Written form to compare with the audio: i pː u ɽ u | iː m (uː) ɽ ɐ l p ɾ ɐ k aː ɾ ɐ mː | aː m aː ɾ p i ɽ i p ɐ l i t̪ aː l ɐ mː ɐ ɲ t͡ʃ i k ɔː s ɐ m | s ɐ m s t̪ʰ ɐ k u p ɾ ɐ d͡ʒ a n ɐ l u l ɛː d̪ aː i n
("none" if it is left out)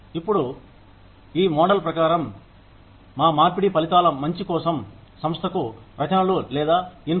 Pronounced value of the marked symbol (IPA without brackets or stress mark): ɔː